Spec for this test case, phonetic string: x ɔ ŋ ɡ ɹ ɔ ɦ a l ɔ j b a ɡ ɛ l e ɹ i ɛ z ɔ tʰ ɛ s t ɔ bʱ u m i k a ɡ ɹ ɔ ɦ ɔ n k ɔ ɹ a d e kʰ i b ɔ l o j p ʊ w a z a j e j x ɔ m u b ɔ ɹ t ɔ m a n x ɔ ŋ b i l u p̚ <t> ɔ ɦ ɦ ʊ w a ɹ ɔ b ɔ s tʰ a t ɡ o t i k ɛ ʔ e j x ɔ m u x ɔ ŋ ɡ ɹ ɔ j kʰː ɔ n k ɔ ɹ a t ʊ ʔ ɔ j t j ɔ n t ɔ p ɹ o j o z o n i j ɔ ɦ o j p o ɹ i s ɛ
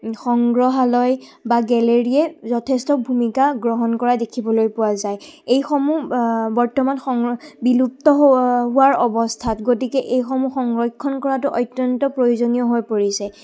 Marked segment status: correct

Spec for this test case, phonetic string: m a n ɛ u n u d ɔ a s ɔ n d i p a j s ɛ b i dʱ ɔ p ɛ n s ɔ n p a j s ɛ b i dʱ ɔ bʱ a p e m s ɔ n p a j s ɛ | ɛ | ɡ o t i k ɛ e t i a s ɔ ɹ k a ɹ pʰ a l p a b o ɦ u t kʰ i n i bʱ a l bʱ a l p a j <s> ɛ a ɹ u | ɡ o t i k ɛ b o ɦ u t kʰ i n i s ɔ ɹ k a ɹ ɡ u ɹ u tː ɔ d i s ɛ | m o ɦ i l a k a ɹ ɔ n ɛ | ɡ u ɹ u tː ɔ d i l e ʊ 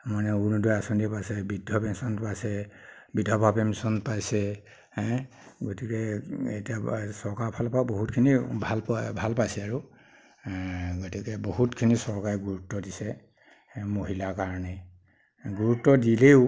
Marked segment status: correct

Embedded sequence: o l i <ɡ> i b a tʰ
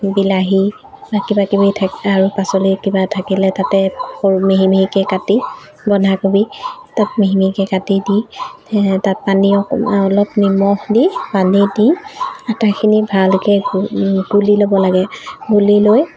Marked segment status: incorrect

